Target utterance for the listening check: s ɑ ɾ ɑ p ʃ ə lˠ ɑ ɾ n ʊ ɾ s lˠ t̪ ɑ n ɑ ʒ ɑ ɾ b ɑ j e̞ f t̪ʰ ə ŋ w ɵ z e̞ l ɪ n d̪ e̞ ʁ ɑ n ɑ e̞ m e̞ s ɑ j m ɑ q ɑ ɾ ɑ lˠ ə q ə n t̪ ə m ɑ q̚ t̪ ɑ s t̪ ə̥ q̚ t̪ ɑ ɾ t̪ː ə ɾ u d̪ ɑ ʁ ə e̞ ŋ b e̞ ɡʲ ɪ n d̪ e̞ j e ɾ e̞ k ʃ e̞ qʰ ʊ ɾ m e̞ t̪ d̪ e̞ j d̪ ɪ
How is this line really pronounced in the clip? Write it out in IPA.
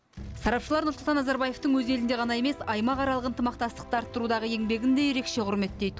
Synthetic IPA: s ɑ ɾ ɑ p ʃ ə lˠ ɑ ɾ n ʊ ɾ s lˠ t̪ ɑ n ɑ z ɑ ɾ b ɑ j e̞ f t̪ ə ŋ w ɵ z e̞ l ɪ n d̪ e̞ ʁ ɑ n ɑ e̞ m e̞ s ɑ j m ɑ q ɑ ɾ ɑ lˠ ə q ə n t̪ ə m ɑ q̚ t̪ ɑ s t̪ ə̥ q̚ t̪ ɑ ɾ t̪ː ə ɾ u d̪ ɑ ʁ ə e̞ ŋ b e̞ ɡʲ ɪ n d̪ e̞ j e ɾ e̞ k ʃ e̞ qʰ ʊ ɾ m e̞ t̪ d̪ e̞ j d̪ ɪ